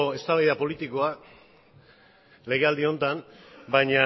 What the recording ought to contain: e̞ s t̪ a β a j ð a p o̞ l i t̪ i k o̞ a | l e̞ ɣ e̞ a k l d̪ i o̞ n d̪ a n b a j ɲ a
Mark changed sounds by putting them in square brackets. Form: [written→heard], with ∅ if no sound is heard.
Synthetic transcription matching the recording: e̞ s t̪ a β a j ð a p o̞ l i t̪ i k o̞ a | l e̞ ɣ e̞ a [k→∅] l d̪ i o̞ n [d̪→t̪] a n b a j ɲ a